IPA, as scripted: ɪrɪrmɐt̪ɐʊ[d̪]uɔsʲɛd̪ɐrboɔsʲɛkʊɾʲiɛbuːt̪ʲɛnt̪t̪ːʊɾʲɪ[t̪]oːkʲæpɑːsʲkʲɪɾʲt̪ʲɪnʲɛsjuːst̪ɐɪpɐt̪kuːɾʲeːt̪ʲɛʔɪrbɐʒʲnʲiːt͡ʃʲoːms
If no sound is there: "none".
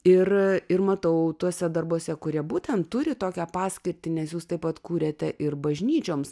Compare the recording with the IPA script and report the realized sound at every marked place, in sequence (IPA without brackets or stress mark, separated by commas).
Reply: t̪, t̪